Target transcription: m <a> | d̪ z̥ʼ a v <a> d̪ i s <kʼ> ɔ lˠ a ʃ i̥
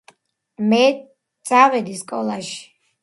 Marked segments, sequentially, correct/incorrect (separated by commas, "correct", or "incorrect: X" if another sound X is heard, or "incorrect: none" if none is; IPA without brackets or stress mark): incorrect: ɛ, incorrect: ɛ, correct